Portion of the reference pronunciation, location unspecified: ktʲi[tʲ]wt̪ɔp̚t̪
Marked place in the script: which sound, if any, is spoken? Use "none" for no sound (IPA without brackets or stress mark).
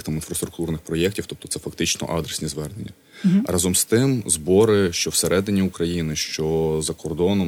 none